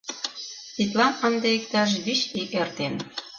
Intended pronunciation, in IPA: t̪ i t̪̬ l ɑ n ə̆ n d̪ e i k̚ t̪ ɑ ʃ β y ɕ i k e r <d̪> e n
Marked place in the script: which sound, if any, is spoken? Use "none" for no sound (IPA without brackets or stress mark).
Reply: t̪